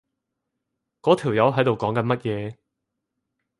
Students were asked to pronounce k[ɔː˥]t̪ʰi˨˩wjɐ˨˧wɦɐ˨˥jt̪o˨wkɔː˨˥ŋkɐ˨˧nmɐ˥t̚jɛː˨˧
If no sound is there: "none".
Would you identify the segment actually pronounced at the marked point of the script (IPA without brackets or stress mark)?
ɔː˨˥